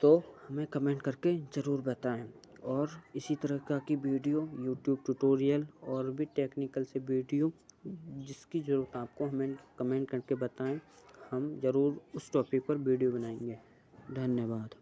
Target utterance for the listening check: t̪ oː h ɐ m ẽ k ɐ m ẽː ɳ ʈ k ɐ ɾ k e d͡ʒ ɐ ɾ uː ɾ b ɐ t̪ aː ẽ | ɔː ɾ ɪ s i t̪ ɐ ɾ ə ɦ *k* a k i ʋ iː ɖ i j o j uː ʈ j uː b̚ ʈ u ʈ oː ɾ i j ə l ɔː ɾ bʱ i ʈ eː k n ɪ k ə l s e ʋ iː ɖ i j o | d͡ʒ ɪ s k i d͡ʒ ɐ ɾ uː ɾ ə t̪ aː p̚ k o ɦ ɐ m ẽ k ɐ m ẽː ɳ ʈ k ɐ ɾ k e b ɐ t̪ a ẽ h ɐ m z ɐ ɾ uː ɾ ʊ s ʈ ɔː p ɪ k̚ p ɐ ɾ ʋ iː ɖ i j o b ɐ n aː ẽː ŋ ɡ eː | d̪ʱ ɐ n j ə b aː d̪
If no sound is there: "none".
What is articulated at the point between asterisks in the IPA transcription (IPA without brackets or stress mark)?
k